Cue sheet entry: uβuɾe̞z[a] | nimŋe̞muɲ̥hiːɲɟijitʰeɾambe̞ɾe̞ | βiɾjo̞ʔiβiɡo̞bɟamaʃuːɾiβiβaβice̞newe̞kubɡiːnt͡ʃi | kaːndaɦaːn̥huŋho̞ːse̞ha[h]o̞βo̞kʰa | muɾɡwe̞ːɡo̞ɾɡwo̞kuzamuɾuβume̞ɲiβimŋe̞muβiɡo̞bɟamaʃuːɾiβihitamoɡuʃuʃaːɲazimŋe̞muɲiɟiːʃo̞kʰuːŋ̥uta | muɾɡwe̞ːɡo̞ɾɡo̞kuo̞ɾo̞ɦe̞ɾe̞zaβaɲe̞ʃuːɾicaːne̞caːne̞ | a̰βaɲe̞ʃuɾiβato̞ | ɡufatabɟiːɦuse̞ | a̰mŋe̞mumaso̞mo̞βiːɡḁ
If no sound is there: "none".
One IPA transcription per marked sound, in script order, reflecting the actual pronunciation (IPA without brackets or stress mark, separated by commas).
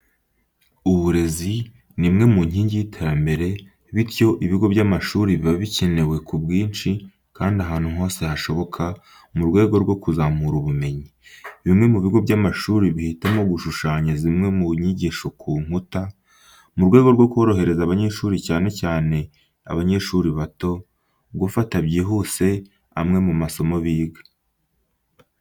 i, ʃ